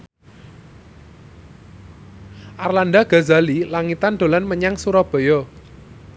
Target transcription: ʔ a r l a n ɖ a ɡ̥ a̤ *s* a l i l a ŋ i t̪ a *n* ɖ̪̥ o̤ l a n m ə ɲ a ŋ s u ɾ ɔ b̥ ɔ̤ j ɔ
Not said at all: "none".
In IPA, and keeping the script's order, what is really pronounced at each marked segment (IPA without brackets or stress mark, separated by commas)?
z, n